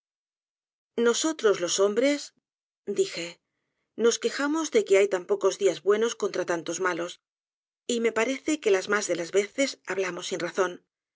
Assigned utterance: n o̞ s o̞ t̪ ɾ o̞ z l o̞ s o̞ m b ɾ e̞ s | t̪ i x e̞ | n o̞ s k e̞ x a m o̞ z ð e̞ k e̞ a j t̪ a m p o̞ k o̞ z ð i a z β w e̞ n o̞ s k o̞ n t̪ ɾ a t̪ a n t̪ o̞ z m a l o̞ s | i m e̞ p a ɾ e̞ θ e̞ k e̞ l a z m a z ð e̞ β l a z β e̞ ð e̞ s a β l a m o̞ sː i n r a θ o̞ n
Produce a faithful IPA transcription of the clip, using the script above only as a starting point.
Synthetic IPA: n o̞ s o̞ t̪ ɾ o̞ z l o̞ s o̞ m b ɾ e̞ s | d̪ i x e̞ | n o̞ s k e̞ x a m o̞ z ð e̞ k e̞ a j t̪ a m p o̞ k o̞ z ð i a z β w e̞ n o̞ s k o̞ n t̪ ɾ a t̪ a n t̪ o̞ z m a l o̞ s | i m e̞ p a ɾ e̞ θ e̞ k e̞ l a z m a z ð e̞ l a z β e̞ θ e̞ s a β l a m o̞ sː i n r a θ o̞ n